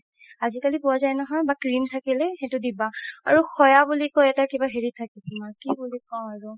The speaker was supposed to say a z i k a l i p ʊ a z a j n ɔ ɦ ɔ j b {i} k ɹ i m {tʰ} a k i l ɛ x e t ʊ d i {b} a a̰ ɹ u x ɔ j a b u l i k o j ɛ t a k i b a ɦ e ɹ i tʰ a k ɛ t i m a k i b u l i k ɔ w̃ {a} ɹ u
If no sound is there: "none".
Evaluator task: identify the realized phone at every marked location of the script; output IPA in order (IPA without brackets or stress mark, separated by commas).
a, tʰ, b, a